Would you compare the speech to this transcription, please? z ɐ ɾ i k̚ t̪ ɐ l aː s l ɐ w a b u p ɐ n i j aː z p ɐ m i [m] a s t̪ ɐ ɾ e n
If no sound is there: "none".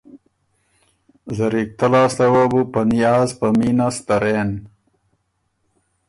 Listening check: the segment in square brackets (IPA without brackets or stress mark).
n